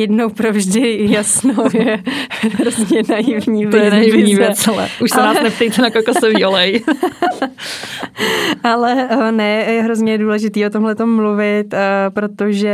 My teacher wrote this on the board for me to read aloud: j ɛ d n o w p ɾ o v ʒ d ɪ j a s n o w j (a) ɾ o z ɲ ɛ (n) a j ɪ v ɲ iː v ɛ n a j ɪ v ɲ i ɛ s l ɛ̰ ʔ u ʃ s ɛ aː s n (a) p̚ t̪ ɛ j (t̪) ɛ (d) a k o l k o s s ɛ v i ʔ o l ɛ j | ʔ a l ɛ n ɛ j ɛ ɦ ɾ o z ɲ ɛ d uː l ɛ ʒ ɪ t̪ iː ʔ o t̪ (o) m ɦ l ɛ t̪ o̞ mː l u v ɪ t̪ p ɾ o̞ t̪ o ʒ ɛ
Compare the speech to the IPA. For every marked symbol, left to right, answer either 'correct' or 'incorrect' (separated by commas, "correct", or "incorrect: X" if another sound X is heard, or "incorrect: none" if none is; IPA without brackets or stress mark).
incorrect: ɛ, correct, incorrect: ɛ, correct, incorrect: n, correct